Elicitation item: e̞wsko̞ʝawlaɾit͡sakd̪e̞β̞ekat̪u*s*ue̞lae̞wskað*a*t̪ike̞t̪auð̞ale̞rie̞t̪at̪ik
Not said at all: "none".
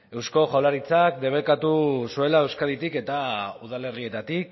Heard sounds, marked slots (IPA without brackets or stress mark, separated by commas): s, i